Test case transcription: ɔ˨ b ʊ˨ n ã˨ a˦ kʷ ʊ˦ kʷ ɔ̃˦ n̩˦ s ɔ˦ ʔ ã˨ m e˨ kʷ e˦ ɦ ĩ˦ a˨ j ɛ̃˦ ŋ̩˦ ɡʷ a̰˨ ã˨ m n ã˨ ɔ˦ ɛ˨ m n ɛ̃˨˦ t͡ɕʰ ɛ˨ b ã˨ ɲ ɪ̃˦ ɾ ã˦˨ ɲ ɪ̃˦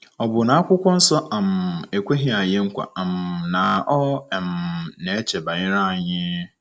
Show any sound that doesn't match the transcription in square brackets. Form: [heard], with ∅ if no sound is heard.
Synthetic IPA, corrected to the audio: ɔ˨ b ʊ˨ n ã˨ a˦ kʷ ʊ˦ kʷ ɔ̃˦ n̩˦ s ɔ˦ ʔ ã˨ m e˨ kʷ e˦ ɦ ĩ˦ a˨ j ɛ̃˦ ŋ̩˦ [kʷ] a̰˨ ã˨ m n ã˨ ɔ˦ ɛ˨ m n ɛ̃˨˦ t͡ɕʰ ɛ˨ b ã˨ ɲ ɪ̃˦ ɾ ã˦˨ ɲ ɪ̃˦

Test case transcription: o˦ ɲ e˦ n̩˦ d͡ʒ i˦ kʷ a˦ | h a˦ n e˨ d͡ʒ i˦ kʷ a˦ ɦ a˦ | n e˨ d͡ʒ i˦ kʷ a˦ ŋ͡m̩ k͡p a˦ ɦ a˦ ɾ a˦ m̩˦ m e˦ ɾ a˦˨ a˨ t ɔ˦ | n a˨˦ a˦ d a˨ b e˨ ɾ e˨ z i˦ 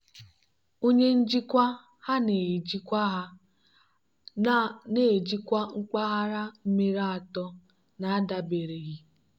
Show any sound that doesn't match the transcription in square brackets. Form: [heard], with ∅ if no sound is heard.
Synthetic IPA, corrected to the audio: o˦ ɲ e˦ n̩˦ d͡ʒ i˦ kʷ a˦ | h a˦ n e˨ d͡ʒ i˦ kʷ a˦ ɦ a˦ | n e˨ d͡ʒ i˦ kʷ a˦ ŋ͡m̩ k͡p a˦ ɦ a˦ ɾ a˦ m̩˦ m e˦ ɾ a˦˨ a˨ t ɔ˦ | n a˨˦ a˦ d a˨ b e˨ ɾ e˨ [ɣ] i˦

